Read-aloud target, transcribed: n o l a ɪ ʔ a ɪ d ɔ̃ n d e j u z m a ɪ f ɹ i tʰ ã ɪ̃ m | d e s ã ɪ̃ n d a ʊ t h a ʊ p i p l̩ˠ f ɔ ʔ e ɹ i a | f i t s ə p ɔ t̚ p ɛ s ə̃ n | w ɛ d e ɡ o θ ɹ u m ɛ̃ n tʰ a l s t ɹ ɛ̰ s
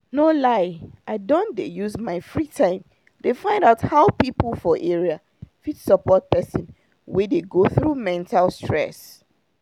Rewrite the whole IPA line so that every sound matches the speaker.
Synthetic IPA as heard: n o l a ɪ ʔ a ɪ d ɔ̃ n d e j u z m a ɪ f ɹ i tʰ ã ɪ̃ m | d e f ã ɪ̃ n d a ʊ t h a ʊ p i p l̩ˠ f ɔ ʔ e ɹ i a | f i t s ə p ɔ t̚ p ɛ s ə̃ n | w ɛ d e ɡ o θ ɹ u m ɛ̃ n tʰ a l s t ɹ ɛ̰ s